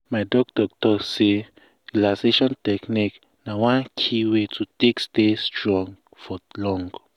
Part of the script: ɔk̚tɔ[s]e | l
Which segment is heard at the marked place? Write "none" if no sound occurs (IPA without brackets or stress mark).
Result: s